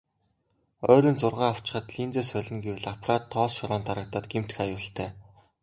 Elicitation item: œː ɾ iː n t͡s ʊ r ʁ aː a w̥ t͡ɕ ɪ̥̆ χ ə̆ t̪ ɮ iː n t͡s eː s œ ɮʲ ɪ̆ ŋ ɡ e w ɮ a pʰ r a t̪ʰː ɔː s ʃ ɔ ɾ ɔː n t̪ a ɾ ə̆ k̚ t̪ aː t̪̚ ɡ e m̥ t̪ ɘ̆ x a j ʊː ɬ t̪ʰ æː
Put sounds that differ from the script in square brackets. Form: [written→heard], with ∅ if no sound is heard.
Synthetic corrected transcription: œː ɾ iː n t͡s ʊ r ʁ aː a w̥ t͡ɕ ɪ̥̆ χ ə̆ t̪ ɮ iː n t͡s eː s œ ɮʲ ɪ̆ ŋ ɡ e w ɮ a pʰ r a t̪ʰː ɔː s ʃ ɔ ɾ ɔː n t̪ a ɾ ə̆ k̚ t̪ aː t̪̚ ɡ e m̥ t̪ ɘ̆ x a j ʊː ɬ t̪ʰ æː